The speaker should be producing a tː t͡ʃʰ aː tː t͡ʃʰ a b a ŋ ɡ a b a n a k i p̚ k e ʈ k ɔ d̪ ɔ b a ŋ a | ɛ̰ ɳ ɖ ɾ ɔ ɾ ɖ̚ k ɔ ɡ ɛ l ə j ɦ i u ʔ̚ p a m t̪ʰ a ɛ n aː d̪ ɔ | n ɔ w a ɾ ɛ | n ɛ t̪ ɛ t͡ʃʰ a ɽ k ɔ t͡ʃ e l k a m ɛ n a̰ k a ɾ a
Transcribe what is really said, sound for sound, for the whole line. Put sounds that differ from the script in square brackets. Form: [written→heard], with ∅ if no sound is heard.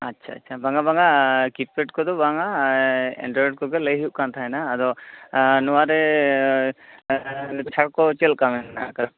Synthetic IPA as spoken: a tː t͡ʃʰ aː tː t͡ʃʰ a b a ŋ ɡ a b a [n→ŋ] a k i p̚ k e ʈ k ɔ d̪ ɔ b a ŋ a | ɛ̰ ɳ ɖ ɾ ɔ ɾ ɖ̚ k ɔ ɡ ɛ l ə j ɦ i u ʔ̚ [p→k] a [m→n] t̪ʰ a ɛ n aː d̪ ɔ | n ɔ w a ɾ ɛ | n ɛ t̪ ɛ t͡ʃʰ a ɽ k ɔ t͡ʃ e l k a m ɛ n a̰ k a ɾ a

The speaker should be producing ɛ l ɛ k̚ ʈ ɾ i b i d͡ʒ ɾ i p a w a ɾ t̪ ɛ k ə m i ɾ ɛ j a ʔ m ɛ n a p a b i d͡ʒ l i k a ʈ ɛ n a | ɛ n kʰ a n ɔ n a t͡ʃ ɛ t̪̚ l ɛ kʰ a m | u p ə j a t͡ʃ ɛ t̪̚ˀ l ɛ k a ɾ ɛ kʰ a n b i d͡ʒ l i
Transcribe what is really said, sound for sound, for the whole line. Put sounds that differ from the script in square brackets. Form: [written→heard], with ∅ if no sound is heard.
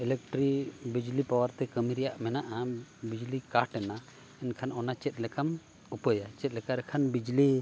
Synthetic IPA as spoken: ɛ l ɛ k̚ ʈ ɾ i b i d͡ʒ [ɾ→l] i p a w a ɾ t̪ ɛ k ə m i ɾ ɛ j a ʔ m ɛ n a [p→ʔ] a b i d͡ʒ l i k a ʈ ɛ n a | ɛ n kʰ a n ɔ n a t͡ʃ ɛ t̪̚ l ɛ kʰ a m | u p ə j a t͡ʃ ɛ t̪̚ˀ l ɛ k a ɾ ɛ kʰ a n b i d͡ʒ l i

